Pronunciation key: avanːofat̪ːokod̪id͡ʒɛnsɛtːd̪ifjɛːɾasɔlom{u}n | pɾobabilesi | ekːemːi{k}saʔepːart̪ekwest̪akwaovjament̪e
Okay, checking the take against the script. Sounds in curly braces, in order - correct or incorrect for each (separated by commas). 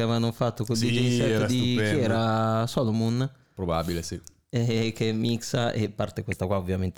correct, correct